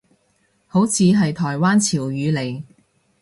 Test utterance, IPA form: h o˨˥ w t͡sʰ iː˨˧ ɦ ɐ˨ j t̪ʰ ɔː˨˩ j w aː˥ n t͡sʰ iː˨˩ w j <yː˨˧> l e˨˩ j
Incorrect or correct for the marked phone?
correct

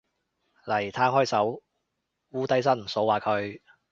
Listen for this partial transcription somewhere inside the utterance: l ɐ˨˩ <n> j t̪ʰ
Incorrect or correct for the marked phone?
incorrect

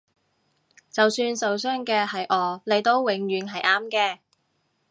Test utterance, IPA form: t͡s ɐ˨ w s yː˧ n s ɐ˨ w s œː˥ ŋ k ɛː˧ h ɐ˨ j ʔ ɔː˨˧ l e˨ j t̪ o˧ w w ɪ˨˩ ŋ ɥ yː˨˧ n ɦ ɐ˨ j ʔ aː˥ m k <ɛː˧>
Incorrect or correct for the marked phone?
correct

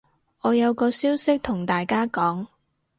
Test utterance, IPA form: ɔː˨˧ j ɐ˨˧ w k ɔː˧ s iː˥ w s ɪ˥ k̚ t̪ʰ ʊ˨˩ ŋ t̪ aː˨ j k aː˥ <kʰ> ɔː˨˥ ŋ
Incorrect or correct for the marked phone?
incorrect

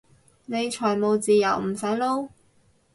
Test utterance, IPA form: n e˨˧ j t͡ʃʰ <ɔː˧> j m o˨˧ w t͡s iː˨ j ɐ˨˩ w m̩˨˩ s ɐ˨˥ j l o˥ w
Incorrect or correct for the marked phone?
incorrect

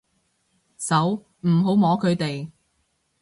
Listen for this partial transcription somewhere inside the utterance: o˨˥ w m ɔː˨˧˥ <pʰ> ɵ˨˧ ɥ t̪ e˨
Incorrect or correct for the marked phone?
incorrect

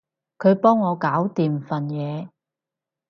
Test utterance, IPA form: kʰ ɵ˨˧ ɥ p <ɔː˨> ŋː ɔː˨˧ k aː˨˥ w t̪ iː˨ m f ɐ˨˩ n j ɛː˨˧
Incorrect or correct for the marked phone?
incorrect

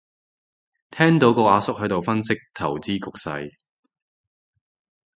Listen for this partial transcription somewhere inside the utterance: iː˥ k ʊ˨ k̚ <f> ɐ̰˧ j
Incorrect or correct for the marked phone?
incorrect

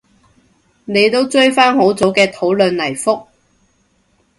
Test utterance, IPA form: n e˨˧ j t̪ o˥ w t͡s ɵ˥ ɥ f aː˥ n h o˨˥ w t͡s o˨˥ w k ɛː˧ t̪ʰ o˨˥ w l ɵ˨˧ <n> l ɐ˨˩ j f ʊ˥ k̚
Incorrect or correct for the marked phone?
correct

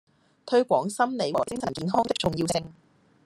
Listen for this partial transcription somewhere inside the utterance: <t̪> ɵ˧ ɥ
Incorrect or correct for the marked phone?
incorrect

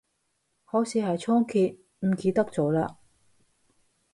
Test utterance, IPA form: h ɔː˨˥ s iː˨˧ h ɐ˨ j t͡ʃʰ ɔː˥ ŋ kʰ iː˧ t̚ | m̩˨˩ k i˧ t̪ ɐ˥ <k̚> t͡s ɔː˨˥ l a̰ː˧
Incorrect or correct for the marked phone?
correct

